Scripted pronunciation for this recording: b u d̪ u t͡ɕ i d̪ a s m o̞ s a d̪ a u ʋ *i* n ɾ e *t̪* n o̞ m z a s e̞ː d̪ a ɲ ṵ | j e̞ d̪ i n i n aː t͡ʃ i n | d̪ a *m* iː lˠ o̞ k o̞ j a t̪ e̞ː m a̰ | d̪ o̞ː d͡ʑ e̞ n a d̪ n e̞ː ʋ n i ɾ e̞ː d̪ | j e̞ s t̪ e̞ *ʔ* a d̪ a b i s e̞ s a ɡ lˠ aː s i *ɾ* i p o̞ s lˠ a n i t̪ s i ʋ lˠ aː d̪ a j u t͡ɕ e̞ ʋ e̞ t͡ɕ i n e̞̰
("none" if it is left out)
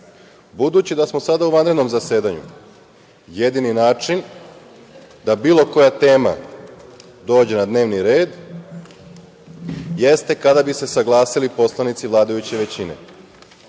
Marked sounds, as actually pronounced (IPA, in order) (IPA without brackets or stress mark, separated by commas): a, d̪, b, k, l